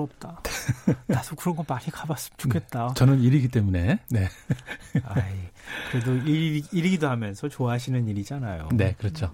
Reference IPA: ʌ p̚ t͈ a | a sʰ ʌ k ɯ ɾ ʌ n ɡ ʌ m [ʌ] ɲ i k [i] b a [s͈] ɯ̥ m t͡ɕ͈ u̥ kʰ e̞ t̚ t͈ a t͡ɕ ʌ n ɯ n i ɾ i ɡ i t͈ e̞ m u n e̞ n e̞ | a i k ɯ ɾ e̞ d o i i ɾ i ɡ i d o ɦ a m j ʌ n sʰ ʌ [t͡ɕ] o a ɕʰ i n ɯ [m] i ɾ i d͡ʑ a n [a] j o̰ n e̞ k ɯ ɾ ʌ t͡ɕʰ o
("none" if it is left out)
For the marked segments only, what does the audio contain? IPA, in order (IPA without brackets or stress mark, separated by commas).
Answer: a, a, s͈, t͡ɕ, n, a